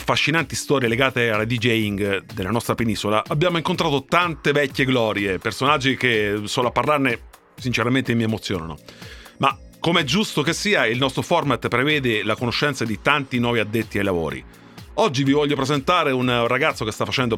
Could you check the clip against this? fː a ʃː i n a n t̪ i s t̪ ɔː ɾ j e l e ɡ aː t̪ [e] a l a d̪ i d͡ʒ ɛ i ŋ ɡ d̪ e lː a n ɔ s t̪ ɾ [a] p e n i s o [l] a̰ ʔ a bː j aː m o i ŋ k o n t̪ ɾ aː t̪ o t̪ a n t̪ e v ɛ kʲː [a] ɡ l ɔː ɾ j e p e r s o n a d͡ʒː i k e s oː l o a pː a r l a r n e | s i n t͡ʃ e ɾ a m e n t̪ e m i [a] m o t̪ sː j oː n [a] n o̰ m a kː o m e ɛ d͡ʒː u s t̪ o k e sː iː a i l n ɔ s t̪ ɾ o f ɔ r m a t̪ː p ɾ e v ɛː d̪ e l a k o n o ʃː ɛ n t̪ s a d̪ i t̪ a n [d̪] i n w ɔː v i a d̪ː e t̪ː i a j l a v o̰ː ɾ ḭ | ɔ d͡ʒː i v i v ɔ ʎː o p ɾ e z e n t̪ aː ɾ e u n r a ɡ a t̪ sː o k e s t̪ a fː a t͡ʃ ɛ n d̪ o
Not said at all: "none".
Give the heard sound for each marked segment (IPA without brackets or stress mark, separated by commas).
e, a, l, e, e, a, t̪